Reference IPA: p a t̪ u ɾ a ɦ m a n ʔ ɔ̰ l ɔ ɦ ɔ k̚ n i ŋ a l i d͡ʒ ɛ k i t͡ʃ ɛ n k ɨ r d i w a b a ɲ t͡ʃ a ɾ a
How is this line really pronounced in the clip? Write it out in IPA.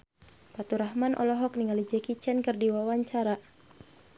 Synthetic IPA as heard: p a t̪ u ɾ a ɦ m a n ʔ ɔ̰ l ɔ ɦ ɔ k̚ n i ŋ a l i d͡ʒ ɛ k i t͡ʃ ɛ n k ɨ r d i w a w a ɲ t͡ʃ a ɾ a